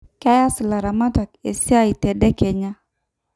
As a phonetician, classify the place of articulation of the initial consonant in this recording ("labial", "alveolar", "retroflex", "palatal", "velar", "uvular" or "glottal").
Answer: velar